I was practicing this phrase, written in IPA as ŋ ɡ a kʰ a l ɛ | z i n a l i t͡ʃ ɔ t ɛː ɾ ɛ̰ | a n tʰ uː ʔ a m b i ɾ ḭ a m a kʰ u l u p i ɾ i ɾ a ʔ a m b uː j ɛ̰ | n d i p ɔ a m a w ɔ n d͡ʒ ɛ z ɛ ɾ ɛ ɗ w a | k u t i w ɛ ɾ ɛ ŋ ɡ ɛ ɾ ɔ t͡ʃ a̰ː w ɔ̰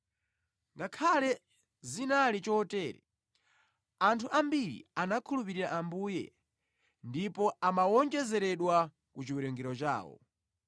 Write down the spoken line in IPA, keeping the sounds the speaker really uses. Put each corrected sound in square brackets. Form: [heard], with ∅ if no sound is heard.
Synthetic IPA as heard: ŋ ɡ a kʰ a l ɛ | z i n a l i t͡ʃ ɔ t ɛː ɾ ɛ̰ | a n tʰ [u] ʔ a m b i ɾ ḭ a [n] a kʰ u l u p i ɾ i ɾ a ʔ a m b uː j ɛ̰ | n d i p ɔ a m a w ɔ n d͡ʒ ɛ z ɛ ɾ ɛ ɗ w a | k u [t͡ʃ] i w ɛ ɾ ɛ ŋ ɡ ɛ ɾ ɔ t͡ʃ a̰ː w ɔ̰